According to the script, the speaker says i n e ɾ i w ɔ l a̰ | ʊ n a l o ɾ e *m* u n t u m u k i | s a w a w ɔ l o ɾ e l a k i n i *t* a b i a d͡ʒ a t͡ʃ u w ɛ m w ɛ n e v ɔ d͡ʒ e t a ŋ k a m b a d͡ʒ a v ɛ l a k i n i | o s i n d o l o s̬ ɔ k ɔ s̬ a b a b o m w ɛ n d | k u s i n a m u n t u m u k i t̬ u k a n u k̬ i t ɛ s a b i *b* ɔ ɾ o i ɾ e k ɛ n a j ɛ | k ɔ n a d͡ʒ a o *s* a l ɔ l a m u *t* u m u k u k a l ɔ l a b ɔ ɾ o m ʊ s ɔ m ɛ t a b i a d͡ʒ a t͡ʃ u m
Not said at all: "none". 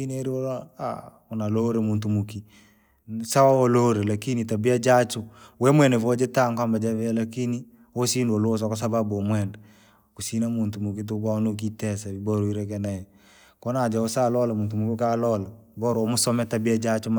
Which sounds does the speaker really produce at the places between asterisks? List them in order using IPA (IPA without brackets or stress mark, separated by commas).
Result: m, t, b, s, t